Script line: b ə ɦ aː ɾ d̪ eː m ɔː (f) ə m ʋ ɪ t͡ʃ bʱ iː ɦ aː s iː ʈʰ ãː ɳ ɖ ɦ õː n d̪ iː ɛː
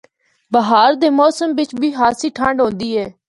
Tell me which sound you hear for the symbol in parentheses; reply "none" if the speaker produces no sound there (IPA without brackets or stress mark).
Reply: s